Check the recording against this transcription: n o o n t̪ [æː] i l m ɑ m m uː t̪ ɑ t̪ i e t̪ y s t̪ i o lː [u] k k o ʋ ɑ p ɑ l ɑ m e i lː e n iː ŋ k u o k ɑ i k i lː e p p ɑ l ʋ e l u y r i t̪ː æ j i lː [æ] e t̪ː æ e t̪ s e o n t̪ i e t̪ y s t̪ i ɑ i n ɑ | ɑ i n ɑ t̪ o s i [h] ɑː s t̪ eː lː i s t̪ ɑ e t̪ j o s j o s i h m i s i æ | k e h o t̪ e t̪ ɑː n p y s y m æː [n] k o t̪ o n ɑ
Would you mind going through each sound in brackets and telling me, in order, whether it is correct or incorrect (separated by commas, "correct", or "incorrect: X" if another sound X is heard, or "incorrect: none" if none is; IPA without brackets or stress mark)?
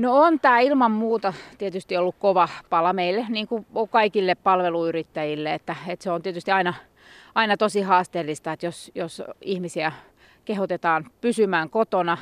correct, correct, incorrect: e, correct, incorrect: ŋ